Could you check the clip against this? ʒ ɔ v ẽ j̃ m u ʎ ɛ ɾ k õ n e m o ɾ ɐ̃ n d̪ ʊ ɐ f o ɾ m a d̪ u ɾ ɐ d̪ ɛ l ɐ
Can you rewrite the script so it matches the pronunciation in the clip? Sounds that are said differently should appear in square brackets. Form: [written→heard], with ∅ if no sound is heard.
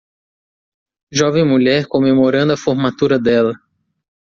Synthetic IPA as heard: ʒ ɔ v ẽ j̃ m u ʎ ɛ ɾ k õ [n→m] e m o ɾ ɐ̃ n d̪ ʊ ɐ f o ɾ m a [d̪→t̪] u ɾ ɐ d̪ ɛ l ɐ